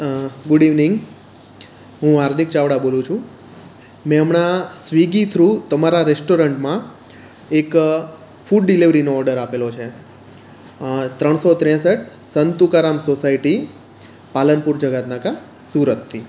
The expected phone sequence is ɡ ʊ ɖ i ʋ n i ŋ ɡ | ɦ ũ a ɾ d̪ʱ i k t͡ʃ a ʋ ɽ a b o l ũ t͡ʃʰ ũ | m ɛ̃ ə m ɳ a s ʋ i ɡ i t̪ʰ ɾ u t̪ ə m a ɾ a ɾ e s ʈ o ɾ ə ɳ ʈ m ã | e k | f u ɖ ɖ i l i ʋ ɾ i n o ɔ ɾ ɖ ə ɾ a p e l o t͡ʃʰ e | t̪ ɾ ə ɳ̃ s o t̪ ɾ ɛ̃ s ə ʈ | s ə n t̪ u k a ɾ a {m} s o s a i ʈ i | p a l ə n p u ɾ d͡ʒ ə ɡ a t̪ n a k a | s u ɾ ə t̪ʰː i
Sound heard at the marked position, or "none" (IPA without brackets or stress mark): m